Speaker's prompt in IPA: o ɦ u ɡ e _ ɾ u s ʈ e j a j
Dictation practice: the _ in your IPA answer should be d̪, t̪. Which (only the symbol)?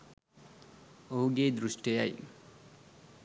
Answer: d̪